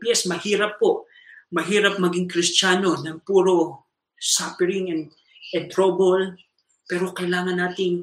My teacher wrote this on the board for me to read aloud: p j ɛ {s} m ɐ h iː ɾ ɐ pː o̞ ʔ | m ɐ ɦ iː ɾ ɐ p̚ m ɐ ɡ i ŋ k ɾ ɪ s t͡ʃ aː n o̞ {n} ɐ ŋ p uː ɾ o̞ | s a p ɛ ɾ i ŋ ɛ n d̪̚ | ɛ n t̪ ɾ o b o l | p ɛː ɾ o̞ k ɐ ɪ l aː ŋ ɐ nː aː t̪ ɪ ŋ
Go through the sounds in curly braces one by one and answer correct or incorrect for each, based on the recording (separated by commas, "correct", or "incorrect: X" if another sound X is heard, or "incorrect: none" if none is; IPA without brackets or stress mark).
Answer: correct, correct